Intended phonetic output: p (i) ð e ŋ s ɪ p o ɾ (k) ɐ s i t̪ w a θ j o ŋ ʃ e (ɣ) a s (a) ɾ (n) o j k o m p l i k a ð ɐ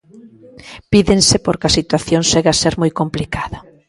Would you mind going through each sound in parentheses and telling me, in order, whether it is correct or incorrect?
correct, correct, correct, incorrect: e, incorrect: m

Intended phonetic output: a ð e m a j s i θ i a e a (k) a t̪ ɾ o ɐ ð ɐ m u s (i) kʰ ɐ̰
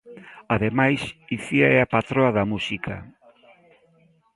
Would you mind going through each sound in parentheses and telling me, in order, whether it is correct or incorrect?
incorrect: p, correct

